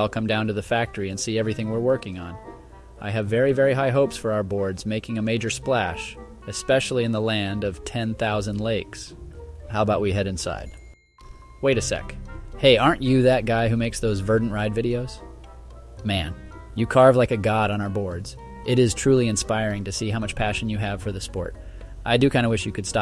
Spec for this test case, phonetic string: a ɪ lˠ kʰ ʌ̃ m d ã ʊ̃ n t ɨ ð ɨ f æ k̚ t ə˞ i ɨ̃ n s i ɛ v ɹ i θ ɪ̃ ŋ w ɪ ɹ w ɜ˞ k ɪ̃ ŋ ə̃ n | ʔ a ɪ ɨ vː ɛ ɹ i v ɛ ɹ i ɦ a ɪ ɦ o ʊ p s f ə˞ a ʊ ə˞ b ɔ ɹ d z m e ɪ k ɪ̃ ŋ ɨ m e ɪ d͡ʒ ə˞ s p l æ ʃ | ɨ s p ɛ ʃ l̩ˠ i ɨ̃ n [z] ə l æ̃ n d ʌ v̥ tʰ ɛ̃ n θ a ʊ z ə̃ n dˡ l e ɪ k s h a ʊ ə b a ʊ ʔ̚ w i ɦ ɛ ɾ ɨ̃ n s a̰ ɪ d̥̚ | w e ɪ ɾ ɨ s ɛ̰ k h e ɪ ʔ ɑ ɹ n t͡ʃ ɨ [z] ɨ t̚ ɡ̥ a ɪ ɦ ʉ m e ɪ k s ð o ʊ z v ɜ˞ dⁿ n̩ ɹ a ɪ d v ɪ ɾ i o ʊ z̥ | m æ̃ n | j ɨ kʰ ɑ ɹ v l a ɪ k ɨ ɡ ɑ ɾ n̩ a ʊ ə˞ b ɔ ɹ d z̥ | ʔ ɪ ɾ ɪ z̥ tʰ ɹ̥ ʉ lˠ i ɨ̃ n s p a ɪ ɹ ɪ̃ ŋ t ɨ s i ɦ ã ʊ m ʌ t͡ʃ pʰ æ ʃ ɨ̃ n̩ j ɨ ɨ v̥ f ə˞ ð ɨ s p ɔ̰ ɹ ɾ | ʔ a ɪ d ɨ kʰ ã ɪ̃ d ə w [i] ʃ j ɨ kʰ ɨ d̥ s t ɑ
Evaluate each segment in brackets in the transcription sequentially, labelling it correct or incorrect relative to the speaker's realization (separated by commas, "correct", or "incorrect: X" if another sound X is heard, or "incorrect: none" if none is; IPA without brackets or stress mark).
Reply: incorrect: ð, incorrect: ð, incorrect: ɪ